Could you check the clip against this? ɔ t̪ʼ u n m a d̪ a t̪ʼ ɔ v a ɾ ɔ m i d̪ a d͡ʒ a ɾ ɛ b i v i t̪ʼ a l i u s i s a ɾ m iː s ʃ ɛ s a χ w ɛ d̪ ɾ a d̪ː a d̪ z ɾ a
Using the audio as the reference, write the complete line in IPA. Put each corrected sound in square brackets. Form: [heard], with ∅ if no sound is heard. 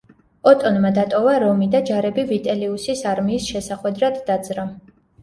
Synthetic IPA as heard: ɔ t̪ʼ [ɔ] n m a d̪ a t̪ʼ ɔ v a ɾ ɔ m i d̪ a d͡ʒ a ɾ ɛ b i v i t̪ʼ [ɛ] l i u s i s a ɾ m iː s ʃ ɛ s a χ w ɛ d̪ ɾ a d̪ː a d̪ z ɾ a